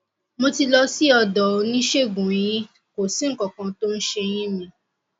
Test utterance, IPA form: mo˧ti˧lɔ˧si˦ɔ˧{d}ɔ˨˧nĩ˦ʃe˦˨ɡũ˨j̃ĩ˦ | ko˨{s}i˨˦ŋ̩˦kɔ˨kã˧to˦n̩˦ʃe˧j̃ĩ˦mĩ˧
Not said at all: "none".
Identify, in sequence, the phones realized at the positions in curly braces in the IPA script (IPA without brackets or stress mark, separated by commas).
d, s